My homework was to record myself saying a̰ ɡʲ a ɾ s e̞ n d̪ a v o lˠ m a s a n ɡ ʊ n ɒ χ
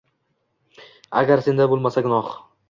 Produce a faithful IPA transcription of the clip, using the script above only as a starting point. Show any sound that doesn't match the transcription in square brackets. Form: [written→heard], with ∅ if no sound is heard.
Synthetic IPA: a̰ ɡʲ a ɾ s e̞ n d̪ a [v→b] o lˠ m a s a [n→∅] ɡ ʊ n ɒ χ